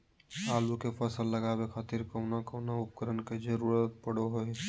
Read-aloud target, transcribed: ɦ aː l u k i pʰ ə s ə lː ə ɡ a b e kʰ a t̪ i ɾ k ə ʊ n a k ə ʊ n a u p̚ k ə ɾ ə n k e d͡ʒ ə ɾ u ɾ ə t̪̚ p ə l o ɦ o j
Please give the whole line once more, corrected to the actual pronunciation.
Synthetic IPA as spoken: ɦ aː l u k e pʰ ə s ə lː ə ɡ a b e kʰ a t̪ i ɾ k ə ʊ n a k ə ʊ n a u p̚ k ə ɾ ə n k e d͡ʒ ə ɾ u ɾ ə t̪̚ p ə ɽ o ɦ o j